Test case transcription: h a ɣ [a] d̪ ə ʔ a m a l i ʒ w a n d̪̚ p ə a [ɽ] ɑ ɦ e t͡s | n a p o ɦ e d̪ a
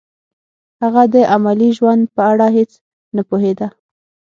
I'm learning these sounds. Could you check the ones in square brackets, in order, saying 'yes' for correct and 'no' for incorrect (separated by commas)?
yes, yes